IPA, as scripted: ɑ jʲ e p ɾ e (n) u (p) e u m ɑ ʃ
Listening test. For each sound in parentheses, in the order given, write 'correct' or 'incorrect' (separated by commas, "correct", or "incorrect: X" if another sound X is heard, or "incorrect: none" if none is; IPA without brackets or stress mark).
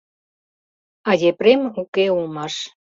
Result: incorrect: m, incorrect: k